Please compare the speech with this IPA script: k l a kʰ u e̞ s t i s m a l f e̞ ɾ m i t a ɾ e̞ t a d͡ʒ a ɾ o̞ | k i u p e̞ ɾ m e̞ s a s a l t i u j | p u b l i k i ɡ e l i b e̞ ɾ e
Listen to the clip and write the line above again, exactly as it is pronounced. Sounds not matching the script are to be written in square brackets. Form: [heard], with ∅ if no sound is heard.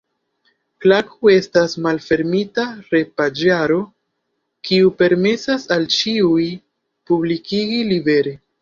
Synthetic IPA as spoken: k l a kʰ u e̞ s t [a] s m a l f e̞ ɾ m i t a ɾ e̞ [p] a d͡ʒ a ɾ o̞ | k i u p e̞ ɾ m e̞ s a s a l [t͡ʃ] i u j | p u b l i k i ɡ [i] l i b e̞ ɾ e